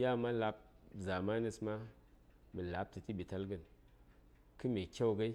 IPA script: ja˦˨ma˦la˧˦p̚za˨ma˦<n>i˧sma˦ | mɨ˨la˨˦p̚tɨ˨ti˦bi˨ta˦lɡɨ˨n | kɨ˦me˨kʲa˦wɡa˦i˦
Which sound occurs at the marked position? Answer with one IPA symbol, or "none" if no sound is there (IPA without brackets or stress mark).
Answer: n